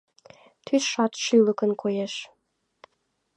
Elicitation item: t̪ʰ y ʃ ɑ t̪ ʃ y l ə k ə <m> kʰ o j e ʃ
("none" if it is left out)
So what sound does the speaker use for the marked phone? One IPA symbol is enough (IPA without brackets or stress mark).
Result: n